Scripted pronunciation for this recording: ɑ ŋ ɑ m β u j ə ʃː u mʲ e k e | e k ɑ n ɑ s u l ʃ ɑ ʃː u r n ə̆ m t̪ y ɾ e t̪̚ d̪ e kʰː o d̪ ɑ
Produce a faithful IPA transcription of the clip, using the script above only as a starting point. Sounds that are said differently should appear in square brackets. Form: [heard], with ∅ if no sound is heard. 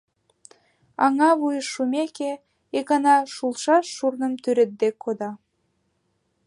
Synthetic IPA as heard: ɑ ŋ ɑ [∅] β u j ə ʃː u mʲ e k e | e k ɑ n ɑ [ʃ] u l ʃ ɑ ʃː u r n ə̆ m t̪ y ɾ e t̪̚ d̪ e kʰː o d̪ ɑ